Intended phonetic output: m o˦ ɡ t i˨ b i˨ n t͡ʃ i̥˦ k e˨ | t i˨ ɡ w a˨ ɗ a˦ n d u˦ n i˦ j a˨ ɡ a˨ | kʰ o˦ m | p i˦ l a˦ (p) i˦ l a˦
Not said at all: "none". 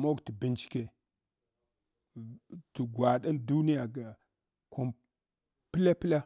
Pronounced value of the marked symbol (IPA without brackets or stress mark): p